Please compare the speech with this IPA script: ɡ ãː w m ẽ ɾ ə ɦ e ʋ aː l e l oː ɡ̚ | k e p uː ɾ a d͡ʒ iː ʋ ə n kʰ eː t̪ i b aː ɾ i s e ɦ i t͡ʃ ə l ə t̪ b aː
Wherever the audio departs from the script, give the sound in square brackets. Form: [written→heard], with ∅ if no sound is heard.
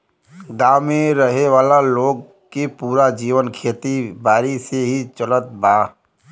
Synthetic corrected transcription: ɡ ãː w m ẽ ɾ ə ɦ e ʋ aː l [e→a] l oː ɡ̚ | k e p uː ɾ a d͡ʒ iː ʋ ə n kʰ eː t̪ i b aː ɾ i s e ɦ i t͡ʃ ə l ə t̪ b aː